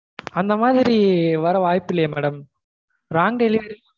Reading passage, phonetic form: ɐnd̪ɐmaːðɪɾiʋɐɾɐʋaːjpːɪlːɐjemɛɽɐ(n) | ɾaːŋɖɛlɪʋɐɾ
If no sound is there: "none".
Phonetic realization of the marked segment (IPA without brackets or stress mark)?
m